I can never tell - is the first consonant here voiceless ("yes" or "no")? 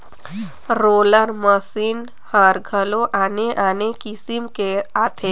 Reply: no